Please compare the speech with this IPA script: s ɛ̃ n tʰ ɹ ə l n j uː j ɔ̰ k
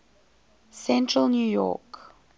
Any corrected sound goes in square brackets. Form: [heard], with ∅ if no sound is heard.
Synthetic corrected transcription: s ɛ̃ n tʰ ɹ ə l n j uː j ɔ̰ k